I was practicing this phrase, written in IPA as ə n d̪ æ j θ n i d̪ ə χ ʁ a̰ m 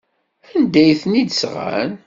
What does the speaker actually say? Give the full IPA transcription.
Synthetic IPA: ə n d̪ æ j θ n i d̪ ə s ʁ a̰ n